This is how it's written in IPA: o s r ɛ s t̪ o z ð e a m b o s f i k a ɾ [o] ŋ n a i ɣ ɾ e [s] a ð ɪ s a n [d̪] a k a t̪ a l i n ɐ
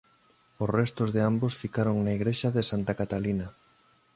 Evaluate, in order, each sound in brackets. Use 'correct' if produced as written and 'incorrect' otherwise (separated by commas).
correct, incorrect, incorrect